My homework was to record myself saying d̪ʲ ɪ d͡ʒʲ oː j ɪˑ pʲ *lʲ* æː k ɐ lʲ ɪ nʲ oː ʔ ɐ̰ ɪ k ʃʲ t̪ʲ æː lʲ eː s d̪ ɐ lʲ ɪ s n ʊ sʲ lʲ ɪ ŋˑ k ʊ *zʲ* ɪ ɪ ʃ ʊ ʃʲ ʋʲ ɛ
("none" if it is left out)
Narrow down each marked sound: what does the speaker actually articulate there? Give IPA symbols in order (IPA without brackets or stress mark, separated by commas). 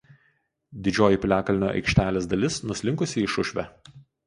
lʲ, sʲ